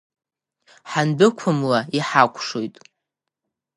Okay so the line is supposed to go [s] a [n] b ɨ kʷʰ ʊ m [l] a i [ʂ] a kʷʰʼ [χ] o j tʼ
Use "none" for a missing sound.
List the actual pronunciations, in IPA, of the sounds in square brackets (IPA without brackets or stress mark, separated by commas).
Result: ħ, n, l, ħ, ʂ